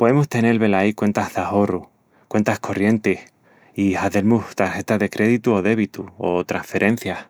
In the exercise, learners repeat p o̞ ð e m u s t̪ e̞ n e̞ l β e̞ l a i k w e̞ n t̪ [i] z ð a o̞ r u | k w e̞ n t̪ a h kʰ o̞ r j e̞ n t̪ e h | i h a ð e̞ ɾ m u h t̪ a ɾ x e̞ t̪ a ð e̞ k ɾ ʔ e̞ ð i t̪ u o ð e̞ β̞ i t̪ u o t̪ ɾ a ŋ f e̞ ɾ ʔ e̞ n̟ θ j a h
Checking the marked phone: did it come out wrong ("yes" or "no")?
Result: yes